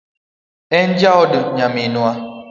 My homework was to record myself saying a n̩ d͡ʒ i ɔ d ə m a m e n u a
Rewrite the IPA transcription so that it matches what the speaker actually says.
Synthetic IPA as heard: ɛ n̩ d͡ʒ a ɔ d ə ɲ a m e n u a